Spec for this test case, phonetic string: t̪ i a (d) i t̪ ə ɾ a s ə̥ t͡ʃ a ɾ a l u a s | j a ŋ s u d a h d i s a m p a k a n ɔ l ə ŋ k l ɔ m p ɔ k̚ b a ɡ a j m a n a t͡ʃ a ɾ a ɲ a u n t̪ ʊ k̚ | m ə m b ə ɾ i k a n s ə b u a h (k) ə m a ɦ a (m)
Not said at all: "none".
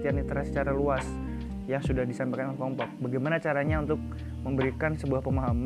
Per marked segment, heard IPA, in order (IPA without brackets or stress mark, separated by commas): n, p, m